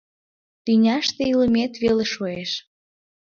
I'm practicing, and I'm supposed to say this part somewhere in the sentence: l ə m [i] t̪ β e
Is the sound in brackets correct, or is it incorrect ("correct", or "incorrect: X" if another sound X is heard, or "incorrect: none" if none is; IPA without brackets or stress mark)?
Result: incorrect: e